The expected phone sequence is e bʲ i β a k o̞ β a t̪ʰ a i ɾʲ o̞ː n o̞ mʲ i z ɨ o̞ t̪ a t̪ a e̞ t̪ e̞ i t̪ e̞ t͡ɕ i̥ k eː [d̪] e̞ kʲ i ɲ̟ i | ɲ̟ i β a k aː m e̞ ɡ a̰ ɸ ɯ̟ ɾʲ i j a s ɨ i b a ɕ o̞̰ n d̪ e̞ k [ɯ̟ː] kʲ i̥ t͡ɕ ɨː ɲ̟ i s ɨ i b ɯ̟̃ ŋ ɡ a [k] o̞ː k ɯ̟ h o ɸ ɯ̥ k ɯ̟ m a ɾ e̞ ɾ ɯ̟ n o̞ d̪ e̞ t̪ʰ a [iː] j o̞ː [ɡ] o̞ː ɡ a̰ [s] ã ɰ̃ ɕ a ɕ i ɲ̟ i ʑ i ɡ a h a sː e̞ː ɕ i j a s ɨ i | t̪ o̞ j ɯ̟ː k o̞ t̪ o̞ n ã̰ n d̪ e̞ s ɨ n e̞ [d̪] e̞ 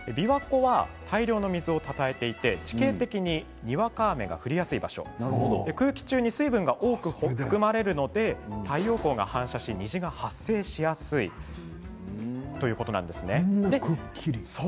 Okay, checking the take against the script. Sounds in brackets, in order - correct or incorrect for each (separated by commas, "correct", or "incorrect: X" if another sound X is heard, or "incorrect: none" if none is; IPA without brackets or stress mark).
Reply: incorrect: t̪, correct, incorrect: ʔ, incorrect: i, incorrect: k, incorrect: h, correct